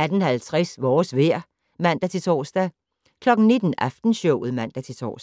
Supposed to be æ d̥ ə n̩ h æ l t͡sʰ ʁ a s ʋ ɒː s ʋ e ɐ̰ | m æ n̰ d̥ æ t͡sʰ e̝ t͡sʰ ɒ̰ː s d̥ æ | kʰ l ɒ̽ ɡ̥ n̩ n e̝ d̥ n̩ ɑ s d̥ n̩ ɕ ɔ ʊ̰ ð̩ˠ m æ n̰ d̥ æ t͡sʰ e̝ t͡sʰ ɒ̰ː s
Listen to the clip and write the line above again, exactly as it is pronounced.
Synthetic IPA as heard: æ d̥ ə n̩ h æ l t͡sʰ ʁ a s ʋ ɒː s ʋ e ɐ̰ | m æ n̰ d̥ æ t͡sʰ e̝ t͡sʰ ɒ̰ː s d̥ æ | kʰ l ɒ̽ ɡ̥ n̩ n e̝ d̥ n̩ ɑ f d̥ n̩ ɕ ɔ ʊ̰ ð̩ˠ m æ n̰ d̥ æ t͡sʰ e̝ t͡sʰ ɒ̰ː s